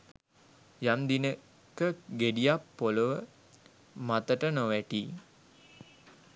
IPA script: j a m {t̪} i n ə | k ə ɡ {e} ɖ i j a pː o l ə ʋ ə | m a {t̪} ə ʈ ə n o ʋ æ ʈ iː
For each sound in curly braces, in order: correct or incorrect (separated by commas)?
incorrect, correct, correct